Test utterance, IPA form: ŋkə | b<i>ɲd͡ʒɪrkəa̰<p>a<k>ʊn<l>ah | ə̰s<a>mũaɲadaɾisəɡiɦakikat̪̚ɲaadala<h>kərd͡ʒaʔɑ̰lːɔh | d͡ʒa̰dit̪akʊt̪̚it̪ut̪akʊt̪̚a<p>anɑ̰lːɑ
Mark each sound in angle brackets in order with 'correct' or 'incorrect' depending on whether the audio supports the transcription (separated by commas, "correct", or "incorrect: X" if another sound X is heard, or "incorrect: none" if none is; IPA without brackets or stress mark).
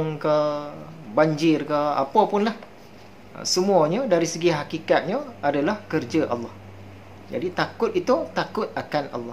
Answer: incorrect: a, correct, incorrect: p, correct, incorrect: ə, correct, incorrect: k